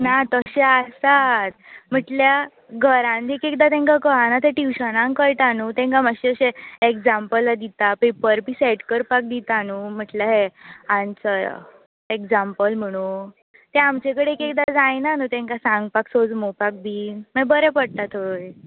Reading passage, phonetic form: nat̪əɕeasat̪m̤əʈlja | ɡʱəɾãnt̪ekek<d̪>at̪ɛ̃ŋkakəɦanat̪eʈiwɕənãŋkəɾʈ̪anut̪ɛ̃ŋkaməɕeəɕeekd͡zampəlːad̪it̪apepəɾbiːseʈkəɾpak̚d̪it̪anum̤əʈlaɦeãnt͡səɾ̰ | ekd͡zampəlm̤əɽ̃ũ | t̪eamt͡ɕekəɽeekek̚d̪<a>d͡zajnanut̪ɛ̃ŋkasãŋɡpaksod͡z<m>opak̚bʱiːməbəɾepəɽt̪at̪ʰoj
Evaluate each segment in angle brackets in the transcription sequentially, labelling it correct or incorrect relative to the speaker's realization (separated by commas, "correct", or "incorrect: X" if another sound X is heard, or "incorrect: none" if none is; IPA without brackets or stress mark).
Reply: correct, correct, correct